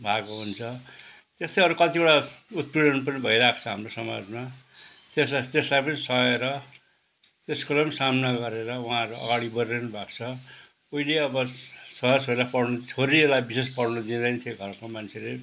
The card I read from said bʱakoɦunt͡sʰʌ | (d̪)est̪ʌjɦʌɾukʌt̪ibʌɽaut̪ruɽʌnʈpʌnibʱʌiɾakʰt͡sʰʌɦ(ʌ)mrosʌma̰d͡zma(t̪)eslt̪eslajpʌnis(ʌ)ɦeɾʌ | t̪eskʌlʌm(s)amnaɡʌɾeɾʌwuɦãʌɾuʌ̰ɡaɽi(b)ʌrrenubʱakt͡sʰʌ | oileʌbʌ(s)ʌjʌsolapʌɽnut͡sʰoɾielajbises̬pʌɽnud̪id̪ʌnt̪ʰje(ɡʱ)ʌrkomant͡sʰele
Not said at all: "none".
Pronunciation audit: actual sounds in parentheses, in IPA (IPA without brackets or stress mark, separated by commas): t̪, a, t̪, ʌ, s, b, s, ɡʱ